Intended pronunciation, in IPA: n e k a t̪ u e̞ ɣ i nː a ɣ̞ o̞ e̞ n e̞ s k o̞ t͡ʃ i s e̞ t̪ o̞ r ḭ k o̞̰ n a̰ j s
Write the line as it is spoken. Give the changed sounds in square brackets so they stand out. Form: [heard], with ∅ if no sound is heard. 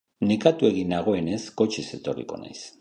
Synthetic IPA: n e k a t̪ u e̞ ɣ i [n] a ɣ̞ o̞ e̞ n e̞ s k o̞ t͡ʃ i s e̞ t̪ o̞ r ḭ k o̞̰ n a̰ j s